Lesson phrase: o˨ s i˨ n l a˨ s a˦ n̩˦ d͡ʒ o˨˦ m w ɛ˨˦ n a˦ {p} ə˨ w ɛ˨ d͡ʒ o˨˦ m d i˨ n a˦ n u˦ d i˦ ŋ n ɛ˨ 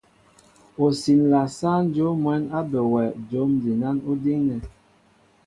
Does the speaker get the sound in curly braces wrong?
yes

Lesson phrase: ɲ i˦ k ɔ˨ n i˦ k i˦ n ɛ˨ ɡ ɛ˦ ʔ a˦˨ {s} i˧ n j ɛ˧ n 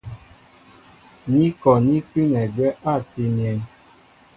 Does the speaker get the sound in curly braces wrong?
yes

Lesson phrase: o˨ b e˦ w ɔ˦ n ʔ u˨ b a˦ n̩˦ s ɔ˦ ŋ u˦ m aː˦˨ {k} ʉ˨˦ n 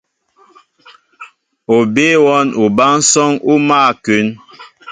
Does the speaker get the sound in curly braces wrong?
no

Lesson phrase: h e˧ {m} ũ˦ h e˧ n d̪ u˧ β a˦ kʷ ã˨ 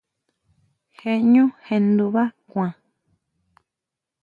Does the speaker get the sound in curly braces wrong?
yes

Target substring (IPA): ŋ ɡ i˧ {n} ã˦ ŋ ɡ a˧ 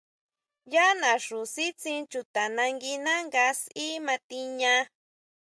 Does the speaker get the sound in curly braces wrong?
no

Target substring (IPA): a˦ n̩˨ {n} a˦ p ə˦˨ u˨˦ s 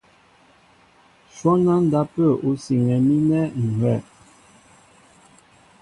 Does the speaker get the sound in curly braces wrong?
yes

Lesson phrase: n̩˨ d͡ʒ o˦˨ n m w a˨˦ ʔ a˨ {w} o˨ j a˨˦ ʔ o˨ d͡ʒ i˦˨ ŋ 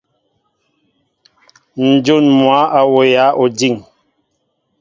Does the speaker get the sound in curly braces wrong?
no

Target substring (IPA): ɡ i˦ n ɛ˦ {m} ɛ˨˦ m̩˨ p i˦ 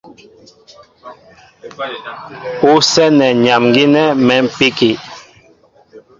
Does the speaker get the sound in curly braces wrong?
no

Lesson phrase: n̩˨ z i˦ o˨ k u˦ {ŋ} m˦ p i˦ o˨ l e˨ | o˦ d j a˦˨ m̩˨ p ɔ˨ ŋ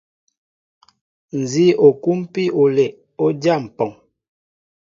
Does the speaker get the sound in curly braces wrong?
yes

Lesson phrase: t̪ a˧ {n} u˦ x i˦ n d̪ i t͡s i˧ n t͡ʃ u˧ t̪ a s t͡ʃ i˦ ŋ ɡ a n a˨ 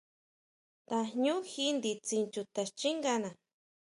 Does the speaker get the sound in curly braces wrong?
yes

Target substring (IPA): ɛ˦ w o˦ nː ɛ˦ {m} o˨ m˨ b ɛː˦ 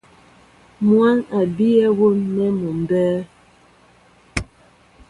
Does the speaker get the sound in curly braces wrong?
no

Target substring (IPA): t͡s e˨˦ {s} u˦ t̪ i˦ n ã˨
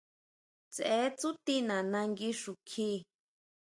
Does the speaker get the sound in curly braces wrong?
yes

